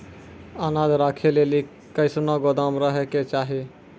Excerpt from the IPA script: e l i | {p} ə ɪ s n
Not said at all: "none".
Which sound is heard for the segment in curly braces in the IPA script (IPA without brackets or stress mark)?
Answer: k